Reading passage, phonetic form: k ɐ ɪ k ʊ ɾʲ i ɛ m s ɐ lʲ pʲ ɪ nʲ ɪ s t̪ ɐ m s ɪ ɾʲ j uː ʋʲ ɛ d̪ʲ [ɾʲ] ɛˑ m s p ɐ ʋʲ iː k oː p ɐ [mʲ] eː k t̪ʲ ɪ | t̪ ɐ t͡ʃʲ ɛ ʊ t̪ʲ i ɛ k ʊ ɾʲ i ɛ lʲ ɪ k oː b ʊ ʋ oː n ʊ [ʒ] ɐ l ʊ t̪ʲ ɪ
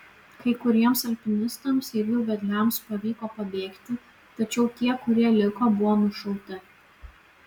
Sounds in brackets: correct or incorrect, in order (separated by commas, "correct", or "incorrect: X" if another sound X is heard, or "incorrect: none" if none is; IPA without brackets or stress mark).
incorrect: lʲ, incorrect: bʲ, incorrect: ʃ